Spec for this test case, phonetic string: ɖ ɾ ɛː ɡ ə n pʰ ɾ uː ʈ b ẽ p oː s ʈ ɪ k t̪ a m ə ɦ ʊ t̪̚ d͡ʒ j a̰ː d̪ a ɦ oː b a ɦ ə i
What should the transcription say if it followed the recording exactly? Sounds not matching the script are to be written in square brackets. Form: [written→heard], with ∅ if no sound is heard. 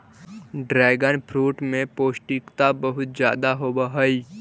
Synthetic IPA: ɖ ɾ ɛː ɡ ə n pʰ ɾ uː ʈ [b→m] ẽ p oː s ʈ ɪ k t̪ a [m→b] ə ɦ ʊ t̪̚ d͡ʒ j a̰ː d̪ a ɦ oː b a ɦ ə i

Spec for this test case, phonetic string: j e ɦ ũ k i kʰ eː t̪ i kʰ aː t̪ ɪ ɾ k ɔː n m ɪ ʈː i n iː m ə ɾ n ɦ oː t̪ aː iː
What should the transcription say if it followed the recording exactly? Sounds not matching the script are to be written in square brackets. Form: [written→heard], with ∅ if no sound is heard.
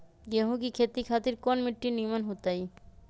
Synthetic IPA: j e ɦ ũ k i kʰ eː t̪ i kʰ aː t̪ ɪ ɾ k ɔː n m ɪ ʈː i n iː m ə [ɾ→∅] n ɦ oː t̪ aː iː

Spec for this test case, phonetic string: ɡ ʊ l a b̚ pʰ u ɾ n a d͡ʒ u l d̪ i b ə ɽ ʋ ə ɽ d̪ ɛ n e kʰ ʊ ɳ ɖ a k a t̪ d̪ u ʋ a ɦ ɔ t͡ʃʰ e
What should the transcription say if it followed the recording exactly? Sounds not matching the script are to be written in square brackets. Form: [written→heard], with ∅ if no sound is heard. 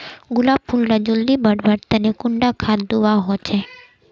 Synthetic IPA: ɡ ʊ l a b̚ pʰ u [ɾ→l] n a d͡ʒ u l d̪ i b ə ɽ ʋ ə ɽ [d̪→t̪] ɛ n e [kʰ→k] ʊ ɳ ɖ a [k→kʰ] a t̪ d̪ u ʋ a ɦ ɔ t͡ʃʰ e

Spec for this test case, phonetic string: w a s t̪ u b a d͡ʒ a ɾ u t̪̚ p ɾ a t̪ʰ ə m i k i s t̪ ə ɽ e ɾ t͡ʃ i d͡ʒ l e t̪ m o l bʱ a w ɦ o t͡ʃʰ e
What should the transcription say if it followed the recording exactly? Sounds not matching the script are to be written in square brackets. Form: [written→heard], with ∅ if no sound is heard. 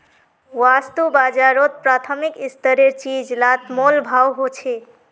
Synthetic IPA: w a s t̪ u b a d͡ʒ a ɾ [u→o] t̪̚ p ɾ a t̪ʰ ə m i k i s t̪ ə [ɽ→ɾ] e ɾ t͡ʃ i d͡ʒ l [e→a] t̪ m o l bʱ a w ɦ o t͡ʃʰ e

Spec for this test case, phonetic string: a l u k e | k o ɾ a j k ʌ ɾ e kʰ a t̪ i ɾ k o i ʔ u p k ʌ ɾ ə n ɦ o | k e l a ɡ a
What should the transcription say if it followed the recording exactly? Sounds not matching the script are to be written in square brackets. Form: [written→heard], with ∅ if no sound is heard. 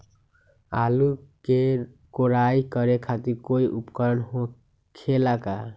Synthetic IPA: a l u k e | k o ɾ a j k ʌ ɾ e kʰ a t̪ i ɾ k o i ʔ u p k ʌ ɾ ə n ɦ o | [k→kʰ] e l a [ɡ→k] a

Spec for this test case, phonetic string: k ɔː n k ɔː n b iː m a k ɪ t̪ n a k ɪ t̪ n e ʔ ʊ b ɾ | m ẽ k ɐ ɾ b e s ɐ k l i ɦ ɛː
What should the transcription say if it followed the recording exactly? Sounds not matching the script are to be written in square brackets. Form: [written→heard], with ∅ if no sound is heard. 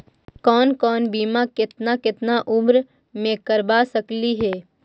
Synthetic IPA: k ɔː n k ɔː n b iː m a k ɪ t̪ n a k ɪ t̪ n [e→a] ʔ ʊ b ɾ | m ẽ k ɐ ɾ b [e→a] s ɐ k l i ɦ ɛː

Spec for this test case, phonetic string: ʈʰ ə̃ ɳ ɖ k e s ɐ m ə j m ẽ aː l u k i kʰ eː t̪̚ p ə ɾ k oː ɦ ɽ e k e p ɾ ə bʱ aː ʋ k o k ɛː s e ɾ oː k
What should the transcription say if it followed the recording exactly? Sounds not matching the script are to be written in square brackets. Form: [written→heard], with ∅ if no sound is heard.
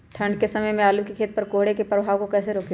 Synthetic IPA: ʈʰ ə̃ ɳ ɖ k e s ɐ m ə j m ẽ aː l u k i kʰ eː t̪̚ p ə ɾ k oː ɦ ɽ e k e p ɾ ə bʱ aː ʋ k o k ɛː s e ɾ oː k

